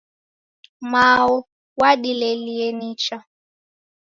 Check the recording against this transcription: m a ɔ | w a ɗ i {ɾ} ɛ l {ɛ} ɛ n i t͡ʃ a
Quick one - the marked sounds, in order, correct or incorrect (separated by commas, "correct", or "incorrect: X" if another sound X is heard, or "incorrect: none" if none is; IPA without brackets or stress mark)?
incorrect: l, incorrect: i